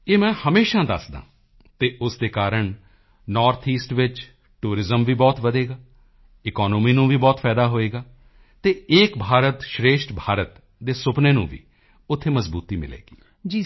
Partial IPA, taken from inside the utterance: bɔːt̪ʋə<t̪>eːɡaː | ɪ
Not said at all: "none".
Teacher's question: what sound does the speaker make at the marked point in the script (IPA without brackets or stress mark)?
d̪